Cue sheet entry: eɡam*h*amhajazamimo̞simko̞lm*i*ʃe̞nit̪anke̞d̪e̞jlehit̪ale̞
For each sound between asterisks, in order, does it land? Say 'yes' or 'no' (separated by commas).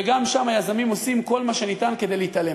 no, no